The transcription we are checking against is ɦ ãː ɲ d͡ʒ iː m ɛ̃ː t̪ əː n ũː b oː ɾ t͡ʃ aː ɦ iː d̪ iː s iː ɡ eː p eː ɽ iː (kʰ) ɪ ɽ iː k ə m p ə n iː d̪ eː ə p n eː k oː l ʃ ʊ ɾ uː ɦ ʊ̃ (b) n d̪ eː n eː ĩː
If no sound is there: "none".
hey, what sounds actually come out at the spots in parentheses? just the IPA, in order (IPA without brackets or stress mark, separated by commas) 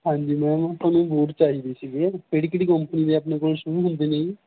k, none